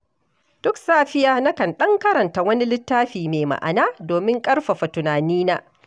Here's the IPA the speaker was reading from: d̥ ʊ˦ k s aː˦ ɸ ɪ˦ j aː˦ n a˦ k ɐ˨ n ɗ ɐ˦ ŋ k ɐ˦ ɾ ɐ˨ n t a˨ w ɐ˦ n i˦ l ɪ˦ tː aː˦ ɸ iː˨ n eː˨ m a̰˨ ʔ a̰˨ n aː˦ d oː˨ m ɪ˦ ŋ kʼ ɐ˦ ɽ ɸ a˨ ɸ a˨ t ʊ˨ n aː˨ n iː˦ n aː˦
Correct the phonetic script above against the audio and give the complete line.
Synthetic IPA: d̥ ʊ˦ k s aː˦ ɸ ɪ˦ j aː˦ n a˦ k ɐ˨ n ɗ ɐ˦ ŋ k ɐ˦ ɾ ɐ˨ n t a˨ w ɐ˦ n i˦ l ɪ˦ tː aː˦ ɸ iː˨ m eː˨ m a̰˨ ʔ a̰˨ n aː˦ d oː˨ m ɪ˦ ŋ kʼ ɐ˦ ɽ ɸ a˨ ɸ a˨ t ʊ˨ n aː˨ n iː˦ n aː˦

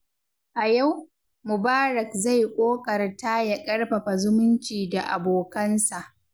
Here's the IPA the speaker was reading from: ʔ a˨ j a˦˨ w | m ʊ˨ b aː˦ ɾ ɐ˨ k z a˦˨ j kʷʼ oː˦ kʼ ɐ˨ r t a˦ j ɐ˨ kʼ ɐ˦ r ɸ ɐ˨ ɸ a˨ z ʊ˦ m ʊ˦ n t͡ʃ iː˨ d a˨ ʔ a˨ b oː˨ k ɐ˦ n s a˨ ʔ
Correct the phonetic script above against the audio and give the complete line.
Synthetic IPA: ʔ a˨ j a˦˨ w | m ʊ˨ b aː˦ ɾ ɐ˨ k z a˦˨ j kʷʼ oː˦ kʼ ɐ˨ r t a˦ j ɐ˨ kʼ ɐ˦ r ɸ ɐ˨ ɸ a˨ z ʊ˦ m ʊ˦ n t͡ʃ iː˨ d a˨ ʔ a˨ b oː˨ k ɐ˦ n s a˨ ʔ

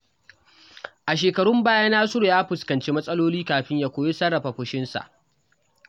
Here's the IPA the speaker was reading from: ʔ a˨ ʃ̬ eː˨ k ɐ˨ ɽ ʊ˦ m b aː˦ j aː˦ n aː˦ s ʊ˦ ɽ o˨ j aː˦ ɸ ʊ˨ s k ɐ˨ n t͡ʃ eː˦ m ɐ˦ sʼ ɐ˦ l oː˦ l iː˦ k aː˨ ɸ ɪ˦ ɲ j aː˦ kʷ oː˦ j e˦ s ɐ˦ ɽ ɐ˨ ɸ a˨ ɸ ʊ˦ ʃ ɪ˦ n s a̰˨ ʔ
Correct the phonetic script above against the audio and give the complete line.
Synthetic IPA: ʔ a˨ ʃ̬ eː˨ k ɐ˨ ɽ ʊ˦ m b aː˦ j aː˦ n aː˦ s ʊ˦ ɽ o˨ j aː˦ ɸ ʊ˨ s k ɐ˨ n t͡ʃ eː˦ m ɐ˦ sʼ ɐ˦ l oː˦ l iː˦ k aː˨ ɸ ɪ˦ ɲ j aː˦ kʷ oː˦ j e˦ s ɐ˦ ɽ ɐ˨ ɸ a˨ ɸ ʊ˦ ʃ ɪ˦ n s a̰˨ ʔ

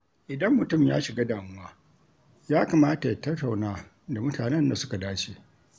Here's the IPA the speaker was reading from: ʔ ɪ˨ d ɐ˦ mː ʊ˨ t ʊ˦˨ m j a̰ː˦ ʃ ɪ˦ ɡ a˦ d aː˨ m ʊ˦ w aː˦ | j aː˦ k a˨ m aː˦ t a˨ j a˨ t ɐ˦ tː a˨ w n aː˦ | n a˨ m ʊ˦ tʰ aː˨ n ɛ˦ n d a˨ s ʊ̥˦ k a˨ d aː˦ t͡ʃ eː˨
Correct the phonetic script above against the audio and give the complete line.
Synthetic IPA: ʔ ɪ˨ d ɐ˦ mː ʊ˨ t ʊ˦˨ m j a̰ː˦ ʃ ɪ˨ ɡ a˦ d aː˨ m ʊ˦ w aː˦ | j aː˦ k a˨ m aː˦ t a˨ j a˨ t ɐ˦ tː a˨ w n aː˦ | d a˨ m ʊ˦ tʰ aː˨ n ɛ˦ n d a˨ s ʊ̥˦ k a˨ d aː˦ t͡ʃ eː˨

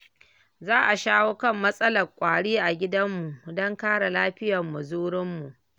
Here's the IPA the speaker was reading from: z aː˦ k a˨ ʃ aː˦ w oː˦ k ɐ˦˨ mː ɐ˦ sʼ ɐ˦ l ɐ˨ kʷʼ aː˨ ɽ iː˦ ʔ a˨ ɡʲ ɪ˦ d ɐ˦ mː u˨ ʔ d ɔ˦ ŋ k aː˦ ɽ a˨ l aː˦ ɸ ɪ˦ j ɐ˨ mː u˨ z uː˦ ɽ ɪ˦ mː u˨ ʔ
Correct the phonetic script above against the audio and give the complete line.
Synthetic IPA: z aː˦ ʔ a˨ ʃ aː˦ w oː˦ k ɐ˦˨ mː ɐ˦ sʼ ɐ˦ l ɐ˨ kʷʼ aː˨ ɽ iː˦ ʔ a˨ ɡʲ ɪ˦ d ɐ˦ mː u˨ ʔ d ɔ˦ ŋ k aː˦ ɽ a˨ l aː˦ ɸ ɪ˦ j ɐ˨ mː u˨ z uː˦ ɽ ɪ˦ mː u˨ ʔ

